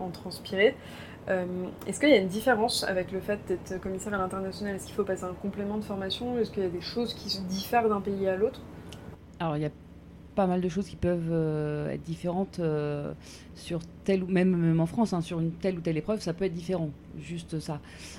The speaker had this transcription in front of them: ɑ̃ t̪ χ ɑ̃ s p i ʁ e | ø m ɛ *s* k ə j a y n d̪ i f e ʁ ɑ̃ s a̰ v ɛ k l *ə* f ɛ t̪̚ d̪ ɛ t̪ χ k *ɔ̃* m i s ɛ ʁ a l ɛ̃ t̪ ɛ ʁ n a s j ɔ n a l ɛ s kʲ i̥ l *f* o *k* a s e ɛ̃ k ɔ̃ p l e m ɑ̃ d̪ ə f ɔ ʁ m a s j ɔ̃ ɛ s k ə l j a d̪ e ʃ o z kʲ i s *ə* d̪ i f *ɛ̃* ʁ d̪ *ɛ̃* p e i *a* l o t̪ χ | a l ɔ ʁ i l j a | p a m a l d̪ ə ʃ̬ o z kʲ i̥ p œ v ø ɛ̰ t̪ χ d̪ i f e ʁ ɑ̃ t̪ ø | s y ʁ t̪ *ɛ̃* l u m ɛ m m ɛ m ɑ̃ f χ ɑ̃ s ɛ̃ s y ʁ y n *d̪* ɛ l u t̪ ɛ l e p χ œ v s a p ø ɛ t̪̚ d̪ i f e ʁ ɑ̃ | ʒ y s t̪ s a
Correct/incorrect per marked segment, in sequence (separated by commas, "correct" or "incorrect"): correct, correct, incorrect, correct, incorrect, correct, incorrect, correct, correct, incorrect, incorrect